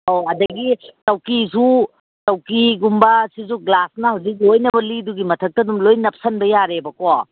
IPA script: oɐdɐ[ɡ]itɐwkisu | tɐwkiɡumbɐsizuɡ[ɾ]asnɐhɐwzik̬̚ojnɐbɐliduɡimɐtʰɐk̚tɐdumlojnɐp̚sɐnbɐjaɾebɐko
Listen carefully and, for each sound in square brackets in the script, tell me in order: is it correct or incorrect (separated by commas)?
correct, incorrect